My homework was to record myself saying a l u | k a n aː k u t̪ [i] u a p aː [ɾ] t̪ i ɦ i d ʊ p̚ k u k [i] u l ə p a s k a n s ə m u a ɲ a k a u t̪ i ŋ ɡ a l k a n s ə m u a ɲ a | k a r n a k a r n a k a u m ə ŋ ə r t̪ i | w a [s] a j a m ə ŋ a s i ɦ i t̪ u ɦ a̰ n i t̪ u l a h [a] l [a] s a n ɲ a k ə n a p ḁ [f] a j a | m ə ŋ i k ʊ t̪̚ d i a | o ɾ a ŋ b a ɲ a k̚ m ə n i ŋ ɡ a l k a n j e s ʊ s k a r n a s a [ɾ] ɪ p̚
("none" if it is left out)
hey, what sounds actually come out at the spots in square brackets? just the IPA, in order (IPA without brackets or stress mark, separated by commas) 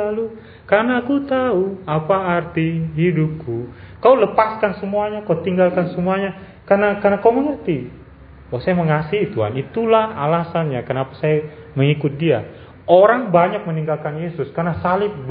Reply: a, r, a, s, a, a, s, l